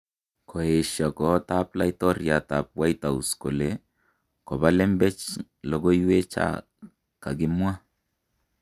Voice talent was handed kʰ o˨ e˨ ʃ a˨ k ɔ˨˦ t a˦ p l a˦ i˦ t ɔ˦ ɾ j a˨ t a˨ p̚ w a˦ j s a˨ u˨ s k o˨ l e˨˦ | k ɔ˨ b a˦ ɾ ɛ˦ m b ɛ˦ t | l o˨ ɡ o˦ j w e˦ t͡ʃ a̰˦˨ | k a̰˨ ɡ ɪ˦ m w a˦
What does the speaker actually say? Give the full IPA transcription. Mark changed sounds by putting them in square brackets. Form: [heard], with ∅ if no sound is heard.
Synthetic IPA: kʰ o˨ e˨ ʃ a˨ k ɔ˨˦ t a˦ p l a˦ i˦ t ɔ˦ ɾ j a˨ t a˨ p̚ w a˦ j [t] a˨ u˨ s k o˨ l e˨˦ | k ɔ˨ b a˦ [l] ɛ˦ m b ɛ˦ [t͡ʃ] | l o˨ ɡ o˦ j w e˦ t͡ʃ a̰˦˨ | k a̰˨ ɡ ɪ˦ m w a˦